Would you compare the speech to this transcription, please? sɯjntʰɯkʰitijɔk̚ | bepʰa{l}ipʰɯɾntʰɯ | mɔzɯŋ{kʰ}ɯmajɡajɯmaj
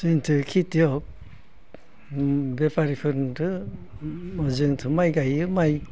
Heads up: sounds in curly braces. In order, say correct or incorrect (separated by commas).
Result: incorrect, incorrect